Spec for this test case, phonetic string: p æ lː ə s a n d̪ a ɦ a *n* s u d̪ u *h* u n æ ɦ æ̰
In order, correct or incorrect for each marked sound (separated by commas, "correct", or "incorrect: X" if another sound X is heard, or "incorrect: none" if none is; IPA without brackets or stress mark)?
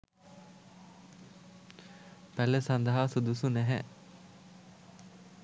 incorrect: none, incorrect: s